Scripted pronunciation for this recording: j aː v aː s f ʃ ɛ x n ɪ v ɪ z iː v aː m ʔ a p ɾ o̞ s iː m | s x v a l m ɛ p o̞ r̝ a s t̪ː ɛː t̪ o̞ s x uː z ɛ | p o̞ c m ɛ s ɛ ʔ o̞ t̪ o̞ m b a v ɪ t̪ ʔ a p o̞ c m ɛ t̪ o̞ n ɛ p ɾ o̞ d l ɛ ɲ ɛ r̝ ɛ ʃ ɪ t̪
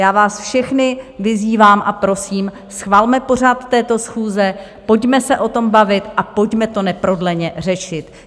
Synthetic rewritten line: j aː v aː s f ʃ ɛ x n ɪ v ɪ z iː v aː m ʔ a p ɾ o̞ s iː m | s x v a l m ɛ p o̞ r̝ a t̪ː ɛː t̪ o̞ s x uː z ɛ | p o̞ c m ɛ s ɛ ʔ o̞ t̪ o̞ m b a v ɪ t̪ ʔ a p o̞ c m ɛ t̪ o̞ n ɛ p ɾ o̞ d l ɛ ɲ ɛ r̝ ɛ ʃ ɪ t̪

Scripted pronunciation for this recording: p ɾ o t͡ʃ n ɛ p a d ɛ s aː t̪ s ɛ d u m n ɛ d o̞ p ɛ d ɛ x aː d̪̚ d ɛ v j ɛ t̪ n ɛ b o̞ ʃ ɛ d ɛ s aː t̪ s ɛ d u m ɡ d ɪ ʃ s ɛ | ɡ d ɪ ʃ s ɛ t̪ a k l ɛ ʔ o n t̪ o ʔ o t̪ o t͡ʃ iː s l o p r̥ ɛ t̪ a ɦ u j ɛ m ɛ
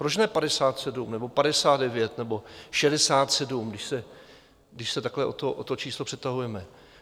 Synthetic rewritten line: p ɾ o t͡ʃ n ɛ p a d ɛ s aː t̪ s ɛ d u m n ɛ b o̞ p a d ɛ s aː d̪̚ d ɛ v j ɛ t̪ n ɛ b o̞ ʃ ɛ d ɛ s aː t̪ s ɛ d u m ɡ d ɪ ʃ s ɛ | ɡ d ɪ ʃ s ɛ t̪ a k l ɛ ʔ o t̪ o ʔ o t̪ o t͡ʃ iː s l o p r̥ ɛ t̪ a ɦ u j ɛ m ɛ

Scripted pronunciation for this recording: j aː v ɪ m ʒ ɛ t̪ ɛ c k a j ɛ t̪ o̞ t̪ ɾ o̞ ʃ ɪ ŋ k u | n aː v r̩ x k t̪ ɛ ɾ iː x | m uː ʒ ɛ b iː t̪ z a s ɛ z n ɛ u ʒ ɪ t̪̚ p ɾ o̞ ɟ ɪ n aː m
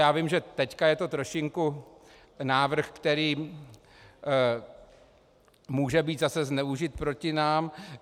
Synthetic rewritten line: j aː v ɪ m ʒ ɛ t̪ ɛ c k a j ɛ t̪ o̞ t̪ ɾ o̞ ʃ ɪ ŋ k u | n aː v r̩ x k t̪ ɛ ɾ iː | m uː ʒ ɛ b iː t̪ z a s ɛ z n ɛ u ʒ ɪ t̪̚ p ɾ o̞ c ɪ n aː m

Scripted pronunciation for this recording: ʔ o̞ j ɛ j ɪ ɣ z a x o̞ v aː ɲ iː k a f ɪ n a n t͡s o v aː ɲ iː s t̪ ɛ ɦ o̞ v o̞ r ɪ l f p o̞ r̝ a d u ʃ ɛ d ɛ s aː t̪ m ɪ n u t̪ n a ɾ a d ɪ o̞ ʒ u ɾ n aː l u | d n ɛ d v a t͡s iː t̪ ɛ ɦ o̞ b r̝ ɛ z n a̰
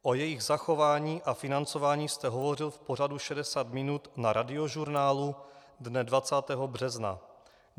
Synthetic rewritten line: ʔ o̞ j ɛ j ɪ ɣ z a x o̞ v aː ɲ iː ʔ a f ɪ n a n t͡s o v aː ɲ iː s t̪ ɛ ɦ o̞ v o̞ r ɪ l f p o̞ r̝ a d u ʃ ɛ d ɛ s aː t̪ m ɪ n u t̪ n a ɾ a d ɪ o̞ ʒ u ɾ n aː l u | d n ɛ d v a t͡s aː t̪ ɛ ɦ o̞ b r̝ ɛ z n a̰

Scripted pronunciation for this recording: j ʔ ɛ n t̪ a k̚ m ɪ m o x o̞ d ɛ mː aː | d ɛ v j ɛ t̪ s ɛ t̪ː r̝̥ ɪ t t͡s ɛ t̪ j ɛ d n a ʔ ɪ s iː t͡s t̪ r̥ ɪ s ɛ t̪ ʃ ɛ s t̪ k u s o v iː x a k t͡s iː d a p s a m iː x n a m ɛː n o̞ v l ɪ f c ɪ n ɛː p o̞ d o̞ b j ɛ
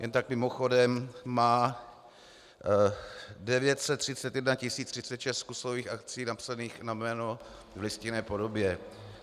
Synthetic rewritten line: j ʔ ɛ n t̪ a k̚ m ɪ m o x o̞ d ɛ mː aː | d ɛ v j ɛ t̪ s ɛ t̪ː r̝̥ ɪ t t͡s ɛ t̪ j ɛ d n a c ɪ s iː t͡s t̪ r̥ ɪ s ɛ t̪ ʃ ɛ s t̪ k u s o v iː x a k t͡s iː n a p s a n iː x n a m ɛː n o̞ v l ɪ s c ɪ n ɛː p o̞ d o̞ b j ɛ

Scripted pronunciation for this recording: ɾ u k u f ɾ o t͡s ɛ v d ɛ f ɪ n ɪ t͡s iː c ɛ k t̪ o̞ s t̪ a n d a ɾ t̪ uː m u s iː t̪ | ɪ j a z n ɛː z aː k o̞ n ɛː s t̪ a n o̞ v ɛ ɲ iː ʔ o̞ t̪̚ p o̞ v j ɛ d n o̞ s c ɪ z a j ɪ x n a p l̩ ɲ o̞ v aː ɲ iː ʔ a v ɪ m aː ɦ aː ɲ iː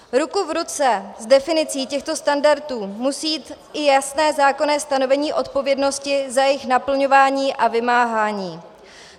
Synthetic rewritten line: ɾ u k u v ɾ u t͡s ɛ z d ɛ f ɪ n ɪ t͡s iː c ɛ x t̪ o̞ s t̪ a n d a ɾ t̪ uː m u s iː t̪ | ɪ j a s n ɛː z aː k o̞ n ɛː s t̪ a n o̞ v ɛ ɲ iː ʔ o̞ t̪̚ p o̞ v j ɛ d n o̞ s c ɪ z a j ɪ x n a p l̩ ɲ o̞ v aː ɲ iː ʔ a v ɪ m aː ɦ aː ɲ iː

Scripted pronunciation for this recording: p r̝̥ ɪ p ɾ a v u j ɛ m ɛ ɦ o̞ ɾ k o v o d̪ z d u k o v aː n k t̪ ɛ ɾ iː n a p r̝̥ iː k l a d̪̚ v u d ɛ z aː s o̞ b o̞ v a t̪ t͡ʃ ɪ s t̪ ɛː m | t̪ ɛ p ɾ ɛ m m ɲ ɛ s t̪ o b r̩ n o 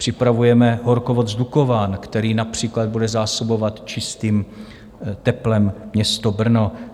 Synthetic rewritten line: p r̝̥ ɪ p ɾ a v u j ɛ m ɛ ɦ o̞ ɾ k o v o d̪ z d u k o v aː n k t̪ ɛ ɾ iː n a p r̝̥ iː k l a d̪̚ b u d ɛ z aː s o̞ b o̞ v a t̪ t͡ʃ ɪ s t̪ iː m | t̪ ɛ p l ɛ m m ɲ ɛ s t̪ o b r̩ n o

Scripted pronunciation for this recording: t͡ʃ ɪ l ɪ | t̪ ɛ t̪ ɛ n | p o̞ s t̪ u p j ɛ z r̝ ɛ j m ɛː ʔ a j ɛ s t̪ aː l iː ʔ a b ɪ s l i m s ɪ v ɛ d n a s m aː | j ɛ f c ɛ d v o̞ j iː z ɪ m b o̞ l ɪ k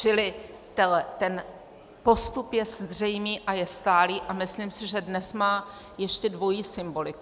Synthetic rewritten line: t͡ʃ ɪ l ɪ | t̪ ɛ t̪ ɛ n | p o̞ s t̪ u p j ɛ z r̝ ɛ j m iː ʔ a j ɛ s t̪ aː l iː ʔ a m ɪ s l i m s ɪ ʒ ɛ d n ɛ s m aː | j ɛ ʃ c ɛ d v o̞ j iː s ɪ m b o̞ l ɪ k

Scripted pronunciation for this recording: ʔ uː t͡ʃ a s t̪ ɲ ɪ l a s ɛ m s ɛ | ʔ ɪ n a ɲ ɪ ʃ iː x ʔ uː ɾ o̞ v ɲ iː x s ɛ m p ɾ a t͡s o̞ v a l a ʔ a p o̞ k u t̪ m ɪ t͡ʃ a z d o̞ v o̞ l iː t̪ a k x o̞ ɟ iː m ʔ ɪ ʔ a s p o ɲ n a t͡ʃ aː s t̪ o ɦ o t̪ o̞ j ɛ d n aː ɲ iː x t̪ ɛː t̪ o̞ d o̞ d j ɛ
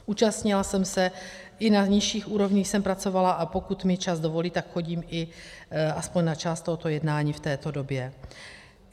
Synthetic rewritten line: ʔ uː t͡ʃ a s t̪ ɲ ɪ l a s ɛ m s ɛ | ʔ ɪ n a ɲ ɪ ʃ iː x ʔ uː ɾ o̞ v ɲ iː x s ɛ m p ɾ a t͡s o̞ v a l a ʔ a p o̞ k u t̪ m ɪ t͡ʃ a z d o̞ v o̞ l iː t̪ a k x o̞ ɟ iː m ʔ ɪ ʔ a s p o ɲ n a t͡ʃ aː s t̪ o ɦ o t̪ o̞ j ɛ d n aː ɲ iː f t̪ ɛː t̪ o̞ d o̞ b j ɛ

